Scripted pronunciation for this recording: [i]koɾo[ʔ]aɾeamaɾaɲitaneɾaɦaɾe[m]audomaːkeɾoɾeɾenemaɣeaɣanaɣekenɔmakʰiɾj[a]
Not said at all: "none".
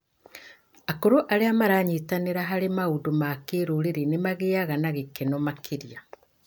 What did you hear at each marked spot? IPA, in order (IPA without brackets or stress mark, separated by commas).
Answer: a, ʔ, m, a